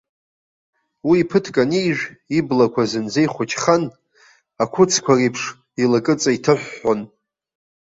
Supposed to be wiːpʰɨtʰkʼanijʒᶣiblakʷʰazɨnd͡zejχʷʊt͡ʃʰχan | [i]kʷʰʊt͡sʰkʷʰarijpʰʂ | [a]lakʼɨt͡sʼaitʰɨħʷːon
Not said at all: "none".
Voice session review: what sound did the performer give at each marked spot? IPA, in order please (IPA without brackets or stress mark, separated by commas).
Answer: a, i